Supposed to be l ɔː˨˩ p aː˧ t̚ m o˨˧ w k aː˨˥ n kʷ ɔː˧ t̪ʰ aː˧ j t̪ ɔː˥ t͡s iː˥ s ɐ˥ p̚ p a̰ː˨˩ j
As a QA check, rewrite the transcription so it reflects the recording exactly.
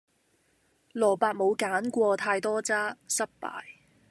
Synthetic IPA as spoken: l ɔː˨˩ p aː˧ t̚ m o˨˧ w k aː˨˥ n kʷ ɔː˧ t̪ʰ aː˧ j t̪ ɔː˥ t͡s aː˥ s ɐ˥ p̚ p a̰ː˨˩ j